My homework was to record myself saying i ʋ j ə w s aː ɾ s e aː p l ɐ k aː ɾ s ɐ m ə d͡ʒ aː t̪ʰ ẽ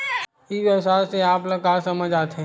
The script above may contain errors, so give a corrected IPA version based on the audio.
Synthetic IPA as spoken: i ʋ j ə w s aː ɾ s e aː p l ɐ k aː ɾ s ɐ m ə d͡ʒ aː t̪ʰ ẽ